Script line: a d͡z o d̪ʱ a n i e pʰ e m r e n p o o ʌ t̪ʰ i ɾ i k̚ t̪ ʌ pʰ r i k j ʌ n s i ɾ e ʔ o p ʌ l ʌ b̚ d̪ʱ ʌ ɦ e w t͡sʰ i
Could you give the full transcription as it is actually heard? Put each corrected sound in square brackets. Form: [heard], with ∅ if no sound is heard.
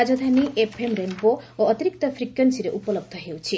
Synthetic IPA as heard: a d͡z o d̪ʱ a n i e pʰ e m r e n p o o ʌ [t̪] i ɾ i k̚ t̪ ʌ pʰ r i k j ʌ n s i ɾ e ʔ [u] p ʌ l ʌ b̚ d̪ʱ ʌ ɦ e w t͡sʰ i